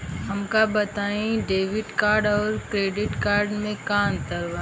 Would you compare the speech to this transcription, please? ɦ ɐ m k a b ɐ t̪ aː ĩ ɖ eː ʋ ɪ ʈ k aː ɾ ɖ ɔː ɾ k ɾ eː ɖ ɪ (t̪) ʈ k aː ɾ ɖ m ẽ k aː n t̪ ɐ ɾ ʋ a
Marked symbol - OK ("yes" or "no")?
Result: no